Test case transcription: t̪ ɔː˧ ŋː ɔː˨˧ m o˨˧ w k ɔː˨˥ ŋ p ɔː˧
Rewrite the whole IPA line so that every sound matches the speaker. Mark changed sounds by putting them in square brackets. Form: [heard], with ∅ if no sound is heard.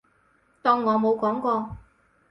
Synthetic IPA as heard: t̪ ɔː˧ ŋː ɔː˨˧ m o˨˧ w k ɔː˨˥ ŋ [k] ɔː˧